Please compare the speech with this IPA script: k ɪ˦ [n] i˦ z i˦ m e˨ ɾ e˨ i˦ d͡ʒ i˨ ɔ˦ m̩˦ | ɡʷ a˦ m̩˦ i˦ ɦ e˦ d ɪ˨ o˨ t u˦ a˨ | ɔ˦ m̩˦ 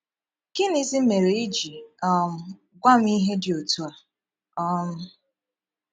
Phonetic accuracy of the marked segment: correct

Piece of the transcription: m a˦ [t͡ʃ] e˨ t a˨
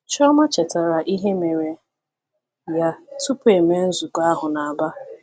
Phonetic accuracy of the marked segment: correct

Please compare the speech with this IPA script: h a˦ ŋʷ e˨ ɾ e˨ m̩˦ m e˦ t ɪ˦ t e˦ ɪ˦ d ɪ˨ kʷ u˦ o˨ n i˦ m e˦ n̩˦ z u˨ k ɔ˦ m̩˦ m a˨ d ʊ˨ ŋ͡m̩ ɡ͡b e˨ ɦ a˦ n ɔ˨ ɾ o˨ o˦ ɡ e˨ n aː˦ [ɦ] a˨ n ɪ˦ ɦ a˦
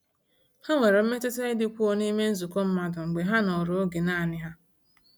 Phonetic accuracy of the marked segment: incorrect: none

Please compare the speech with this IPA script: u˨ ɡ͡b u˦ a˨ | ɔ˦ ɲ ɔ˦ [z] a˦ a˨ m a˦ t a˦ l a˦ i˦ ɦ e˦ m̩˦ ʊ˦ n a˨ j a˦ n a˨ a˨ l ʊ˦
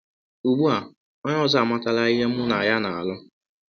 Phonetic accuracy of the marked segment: correct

